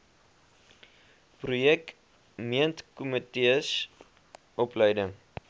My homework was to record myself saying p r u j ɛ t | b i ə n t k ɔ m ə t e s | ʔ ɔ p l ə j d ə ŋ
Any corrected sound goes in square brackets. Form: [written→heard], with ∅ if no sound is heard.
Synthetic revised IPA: p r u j ɛ [t→k] | [b→m] i ə n t k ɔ m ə t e s | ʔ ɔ p l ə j d ə ŋ